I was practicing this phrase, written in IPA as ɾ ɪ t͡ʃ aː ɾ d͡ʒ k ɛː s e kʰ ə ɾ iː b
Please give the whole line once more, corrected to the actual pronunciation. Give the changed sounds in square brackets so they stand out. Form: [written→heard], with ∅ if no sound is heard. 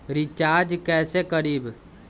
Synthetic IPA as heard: ɾ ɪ t͡ʃ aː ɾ d͡ʒ k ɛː s e [kʰ→k] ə ɾ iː b